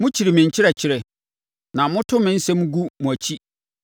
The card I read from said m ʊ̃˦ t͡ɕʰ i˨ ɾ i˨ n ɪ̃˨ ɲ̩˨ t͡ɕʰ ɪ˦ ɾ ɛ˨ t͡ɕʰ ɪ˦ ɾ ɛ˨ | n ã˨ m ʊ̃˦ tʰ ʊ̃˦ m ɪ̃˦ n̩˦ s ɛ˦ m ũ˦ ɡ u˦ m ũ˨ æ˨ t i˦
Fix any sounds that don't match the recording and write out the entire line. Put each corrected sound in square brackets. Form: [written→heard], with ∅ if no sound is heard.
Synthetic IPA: m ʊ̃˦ t͡ɕʰ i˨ ɾ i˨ [n→m] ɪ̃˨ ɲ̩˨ t͡ɕʰ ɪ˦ ɾ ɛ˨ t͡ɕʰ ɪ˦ ɾ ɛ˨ | n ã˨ m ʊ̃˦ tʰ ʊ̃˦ m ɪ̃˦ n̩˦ s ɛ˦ m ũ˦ ɡ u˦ m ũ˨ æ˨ [t→t͡ɕʰ] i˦

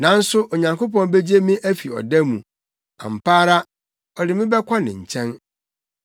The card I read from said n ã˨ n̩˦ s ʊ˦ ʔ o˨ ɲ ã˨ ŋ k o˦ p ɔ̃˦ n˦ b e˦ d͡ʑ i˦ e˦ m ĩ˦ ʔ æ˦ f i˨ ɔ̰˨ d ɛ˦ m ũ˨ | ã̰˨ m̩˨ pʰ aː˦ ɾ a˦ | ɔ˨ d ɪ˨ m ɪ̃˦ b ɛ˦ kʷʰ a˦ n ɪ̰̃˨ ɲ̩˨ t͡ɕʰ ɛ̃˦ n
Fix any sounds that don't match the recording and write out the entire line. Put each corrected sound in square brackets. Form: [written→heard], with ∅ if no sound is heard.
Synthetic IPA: n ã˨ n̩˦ s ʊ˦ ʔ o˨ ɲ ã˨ ŋ k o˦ p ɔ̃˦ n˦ b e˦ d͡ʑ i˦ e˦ m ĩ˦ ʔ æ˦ f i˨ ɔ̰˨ d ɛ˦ m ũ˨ | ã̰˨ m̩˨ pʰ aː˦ ɾ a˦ | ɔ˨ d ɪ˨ m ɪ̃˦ b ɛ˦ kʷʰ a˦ n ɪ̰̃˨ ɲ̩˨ t͡ɕʰ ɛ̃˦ n

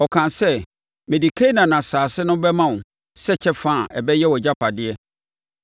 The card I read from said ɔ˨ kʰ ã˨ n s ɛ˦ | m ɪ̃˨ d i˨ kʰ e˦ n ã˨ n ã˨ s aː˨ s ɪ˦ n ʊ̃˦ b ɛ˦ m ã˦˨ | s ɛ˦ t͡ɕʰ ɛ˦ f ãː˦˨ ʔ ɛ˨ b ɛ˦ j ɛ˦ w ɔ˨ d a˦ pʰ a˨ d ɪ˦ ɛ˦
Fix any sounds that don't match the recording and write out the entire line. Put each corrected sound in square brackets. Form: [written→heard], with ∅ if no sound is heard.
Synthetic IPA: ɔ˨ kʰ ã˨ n s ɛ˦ | m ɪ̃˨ d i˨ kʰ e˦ n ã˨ n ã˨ s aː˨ s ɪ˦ n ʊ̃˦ b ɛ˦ m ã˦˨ | s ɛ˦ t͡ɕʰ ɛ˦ f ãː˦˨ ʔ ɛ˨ b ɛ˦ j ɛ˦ w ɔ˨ [d→d͡ʑ] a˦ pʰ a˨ d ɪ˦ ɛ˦

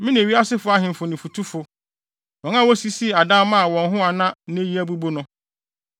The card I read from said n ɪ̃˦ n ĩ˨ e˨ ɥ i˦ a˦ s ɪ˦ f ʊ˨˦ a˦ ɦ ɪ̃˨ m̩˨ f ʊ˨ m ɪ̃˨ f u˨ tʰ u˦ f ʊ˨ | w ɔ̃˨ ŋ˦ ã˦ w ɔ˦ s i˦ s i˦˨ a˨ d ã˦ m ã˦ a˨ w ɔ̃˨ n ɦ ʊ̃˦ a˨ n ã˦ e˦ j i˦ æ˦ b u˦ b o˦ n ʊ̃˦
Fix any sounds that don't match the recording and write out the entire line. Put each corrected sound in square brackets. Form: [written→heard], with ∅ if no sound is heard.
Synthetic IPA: [n→m] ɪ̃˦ n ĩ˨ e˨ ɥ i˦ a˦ s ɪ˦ f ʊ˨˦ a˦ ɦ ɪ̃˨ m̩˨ f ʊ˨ [m→n] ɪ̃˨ f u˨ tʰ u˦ f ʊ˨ | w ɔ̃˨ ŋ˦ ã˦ w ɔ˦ s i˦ s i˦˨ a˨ d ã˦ m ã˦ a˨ w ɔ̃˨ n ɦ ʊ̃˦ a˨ n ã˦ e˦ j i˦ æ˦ b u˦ b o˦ n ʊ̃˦

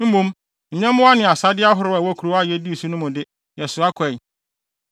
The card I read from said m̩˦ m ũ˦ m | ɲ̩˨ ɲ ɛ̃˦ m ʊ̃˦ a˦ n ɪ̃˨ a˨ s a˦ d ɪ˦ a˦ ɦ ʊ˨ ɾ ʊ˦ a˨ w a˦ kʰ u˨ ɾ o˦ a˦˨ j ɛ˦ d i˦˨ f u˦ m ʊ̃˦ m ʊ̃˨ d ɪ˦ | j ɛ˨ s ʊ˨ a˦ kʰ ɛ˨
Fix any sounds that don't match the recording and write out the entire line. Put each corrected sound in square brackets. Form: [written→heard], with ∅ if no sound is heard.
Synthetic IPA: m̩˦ m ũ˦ m | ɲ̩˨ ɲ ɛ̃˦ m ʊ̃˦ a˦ n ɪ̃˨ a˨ s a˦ d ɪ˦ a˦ ɦ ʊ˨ ɾ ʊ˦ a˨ w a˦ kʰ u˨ ɾ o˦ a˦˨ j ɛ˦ d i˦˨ [f→s] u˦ [m→n] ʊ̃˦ m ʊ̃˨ d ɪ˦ | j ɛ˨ s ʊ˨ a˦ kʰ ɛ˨

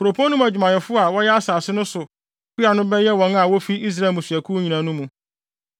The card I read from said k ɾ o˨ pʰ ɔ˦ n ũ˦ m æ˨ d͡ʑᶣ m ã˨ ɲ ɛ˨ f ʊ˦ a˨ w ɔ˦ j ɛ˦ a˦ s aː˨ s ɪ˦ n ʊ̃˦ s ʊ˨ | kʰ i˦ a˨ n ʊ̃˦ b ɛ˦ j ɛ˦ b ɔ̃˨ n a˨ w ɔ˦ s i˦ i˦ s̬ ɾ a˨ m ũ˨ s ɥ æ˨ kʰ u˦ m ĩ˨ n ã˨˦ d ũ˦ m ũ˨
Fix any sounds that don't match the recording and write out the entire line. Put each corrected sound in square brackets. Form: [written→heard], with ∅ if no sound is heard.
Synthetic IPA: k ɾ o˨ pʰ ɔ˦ n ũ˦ m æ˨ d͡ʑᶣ m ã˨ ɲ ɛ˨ f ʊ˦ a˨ w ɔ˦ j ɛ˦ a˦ s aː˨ s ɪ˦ n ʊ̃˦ s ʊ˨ | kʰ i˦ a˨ n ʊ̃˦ b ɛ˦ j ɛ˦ [b→w] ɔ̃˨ n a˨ w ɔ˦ [s→f] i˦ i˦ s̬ ɾ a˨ m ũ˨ s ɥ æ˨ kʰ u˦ [m→ɲ] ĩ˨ n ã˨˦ [d→n] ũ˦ m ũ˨

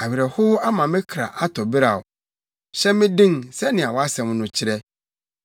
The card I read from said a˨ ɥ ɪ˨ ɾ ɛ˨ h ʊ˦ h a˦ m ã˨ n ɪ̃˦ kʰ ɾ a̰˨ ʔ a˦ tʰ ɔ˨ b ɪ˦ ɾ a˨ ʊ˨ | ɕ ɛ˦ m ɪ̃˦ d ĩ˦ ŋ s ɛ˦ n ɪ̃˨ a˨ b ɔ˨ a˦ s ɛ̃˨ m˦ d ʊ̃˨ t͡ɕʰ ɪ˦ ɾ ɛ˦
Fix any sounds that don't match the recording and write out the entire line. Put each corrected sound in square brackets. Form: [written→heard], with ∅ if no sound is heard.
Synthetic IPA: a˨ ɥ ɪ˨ ɾ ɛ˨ h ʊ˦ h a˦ m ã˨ [n→m] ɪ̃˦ kʰ ɾ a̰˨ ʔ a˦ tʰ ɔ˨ b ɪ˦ ɾ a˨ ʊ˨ | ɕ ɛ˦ m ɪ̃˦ d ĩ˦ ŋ s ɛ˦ n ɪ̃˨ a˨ [b→w] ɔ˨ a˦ s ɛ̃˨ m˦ [d→n] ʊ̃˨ t͡ɕʰ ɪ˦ ɾ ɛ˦

